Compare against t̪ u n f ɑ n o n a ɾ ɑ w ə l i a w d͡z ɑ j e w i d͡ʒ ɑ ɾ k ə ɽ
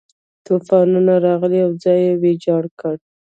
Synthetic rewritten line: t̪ u f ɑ n u n a ɾ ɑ ɣ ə l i a w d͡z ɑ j e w e d͡ʒ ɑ ɽ k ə ɽ